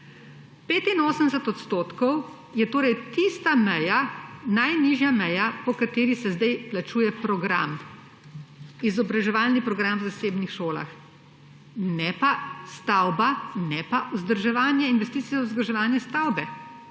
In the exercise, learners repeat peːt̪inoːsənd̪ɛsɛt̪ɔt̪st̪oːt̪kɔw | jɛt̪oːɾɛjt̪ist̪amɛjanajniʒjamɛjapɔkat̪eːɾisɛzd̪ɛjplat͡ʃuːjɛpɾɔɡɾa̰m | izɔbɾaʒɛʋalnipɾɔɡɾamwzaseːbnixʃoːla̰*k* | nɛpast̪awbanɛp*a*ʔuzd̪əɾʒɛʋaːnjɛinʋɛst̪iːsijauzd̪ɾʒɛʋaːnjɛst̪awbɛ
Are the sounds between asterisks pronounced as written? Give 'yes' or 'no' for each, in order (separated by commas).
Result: no, yes